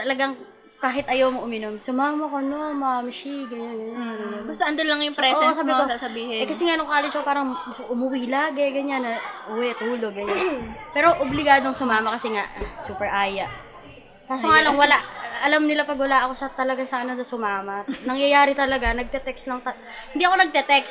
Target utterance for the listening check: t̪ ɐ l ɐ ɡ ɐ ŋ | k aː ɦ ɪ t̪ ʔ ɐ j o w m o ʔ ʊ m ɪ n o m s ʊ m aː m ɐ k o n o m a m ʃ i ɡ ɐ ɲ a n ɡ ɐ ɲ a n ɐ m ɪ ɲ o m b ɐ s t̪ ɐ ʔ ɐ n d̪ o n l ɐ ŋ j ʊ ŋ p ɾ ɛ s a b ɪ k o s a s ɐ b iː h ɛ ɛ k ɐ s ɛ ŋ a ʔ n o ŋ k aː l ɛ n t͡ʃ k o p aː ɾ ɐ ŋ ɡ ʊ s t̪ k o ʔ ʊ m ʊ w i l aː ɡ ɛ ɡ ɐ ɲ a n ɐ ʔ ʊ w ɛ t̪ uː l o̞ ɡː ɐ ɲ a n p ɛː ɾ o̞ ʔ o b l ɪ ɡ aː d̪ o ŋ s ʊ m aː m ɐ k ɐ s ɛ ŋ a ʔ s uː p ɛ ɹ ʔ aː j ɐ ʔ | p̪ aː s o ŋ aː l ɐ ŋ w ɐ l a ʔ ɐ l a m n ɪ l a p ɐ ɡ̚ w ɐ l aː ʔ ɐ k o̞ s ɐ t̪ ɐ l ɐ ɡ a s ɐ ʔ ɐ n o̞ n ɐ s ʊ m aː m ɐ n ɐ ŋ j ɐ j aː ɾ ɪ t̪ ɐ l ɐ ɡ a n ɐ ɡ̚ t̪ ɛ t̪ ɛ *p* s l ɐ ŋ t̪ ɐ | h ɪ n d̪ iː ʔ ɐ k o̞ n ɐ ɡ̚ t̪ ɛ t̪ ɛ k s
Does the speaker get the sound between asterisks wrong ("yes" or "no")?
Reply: yes